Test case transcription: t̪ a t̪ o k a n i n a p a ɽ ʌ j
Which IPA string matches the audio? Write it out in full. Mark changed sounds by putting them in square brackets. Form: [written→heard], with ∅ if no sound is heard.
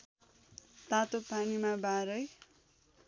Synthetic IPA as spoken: t̪ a t̪ o [k→p] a n i [n→m] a [p→b] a [ɽ→ɾ] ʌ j

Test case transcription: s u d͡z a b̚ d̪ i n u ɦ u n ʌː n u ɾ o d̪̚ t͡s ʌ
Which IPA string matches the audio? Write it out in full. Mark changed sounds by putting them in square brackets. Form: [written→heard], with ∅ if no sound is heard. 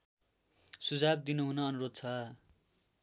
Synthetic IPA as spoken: s u d͡z a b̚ d̪ i n u ɦ u n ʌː n u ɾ o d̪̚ [t͡s→t͡sʰ] ʌ

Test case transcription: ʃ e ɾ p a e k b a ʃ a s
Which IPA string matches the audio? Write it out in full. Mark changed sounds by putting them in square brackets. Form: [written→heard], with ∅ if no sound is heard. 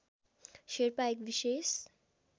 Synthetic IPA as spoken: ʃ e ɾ p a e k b [a→i] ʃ [a→e] s

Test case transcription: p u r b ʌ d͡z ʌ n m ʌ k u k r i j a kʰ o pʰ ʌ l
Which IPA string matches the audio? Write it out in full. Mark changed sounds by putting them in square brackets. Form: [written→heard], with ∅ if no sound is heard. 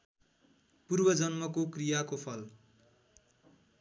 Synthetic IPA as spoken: p u r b ʌ d͡z ʌ n m ʌ k [u→o] k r i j a [kʰ→k] o pʰ ʌ l

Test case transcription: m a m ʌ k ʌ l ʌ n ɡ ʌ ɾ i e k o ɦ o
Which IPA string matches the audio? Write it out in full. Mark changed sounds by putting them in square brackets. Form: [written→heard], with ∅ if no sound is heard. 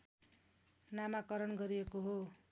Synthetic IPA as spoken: [m→n] a m [ʌ→a] k ʌ [l→ɾ] ʌ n ɡ ʌ ɾ i e k o ɦ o

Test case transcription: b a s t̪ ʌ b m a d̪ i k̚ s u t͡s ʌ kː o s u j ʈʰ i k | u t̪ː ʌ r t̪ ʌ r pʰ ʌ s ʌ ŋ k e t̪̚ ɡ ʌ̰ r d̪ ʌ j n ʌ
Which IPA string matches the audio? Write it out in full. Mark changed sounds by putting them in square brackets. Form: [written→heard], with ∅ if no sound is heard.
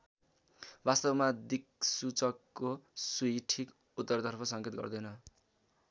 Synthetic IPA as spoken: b a s t̪ ʌ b m a d̪ i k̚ s u t͡s ʌ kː o s u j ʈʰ i k | u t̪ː ʌ r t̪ ʌ r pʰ ʌ s ʌ ŋ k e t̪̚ ɡ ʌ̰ r d̪ ʌ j n ʌ

